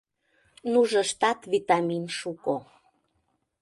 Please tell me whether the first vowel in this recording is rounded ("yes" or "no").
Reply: yes